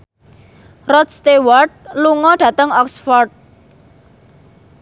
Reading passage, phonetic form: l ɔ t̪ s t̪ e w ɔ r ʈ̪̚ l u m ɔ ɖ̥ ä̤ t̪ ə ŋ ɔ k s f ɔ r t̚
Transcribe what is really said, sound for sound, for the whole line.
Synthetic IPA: r ɔ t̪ s t̪ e w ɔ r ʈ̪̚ l u ŋ ɔ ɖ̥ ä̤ t̪ ə ŋ ɔ k s f ɔ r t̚